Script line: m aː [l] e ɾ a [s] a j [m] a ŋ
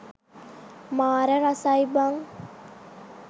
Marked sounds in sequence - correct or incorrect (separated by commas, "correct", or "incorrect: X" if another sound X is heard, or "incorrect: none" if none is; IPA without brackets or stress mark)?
incorrect: ɾ, correct, incorrect: b